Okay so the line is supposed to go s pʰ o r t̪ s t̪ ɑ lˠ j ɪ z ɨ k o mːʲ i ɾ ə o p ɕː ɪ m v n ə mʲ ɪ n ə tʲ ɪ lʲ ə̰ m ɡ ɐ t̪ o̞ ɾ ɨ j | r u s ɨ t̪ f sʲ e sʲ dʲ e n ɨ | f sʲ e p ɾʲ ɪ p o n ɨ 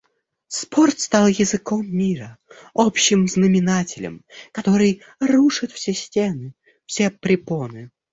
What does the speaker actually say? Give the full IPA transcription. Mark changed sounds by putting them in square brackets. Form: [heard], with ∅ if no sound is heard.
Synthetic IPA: s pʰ o r t̪ s t̪ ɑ lˠ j ɪ z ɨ k o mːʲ i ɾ ə o p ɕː ɪ m [z] n ə mʲ ɪ n [a] tʲ ɪ lʲ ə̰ m [k] ɐ t̪ o̞ ɾ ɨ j | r u [ʂ] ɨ t̪ f sʲ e sʲ [tʲ] e n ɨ | f sʲ e p ɾʲ ɪ p o n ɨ